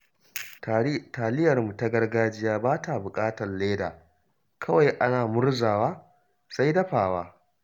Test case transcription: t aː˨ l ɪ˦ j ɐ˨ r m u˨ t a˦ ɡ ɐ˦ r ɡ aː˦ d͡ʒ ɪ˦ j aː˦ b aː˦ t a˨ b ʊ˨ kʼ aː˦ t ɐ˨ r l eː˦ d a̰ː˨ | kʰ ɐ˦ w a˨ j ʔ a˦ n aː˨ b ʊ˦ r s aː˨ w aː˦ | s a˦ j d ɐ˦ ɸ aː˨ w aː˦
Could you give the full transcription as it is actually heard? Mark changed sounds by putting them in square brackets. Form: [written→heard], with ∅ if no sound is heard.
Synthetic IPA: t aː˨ l ɪ˦ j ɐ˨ r m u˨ t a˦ ɡ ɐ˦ r ɡ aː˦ d͡ʒ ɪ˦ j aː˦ b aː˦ t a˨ b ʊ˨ kʼ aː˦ t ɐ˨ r l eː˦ d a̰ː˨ | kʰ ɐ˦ w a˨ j ʔ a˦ n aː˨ [b→m] ʊ˦ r [s→z] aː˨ w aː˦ | s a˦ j d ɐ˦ ɸ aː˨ w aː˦